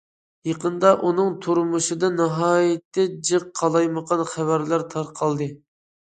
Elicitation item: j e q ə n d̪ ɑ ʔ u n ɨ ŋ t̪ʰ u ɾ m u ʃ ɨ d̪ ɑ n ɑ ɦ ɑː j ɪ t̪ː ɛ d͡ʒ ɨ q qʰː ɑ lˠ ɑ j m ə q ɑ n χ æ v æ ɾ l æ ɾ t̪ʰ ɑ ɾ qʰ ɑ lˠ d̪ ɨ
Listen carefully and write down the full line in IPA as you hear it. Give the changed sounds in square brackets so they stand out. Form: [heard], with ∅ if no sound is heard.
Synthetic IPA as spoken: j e q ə n d̪ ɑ ʔ u n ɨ ŋ t̪ʰ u ɾ m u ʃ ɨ d̪ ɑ n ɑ ɦ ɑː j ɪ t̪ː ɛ d͡ʒ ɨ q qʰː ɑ lˠ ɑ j m ə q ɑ n χ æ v æ ɾ l æ ɾ t̪ʰ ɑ ɾ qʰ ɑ lˠ d̪ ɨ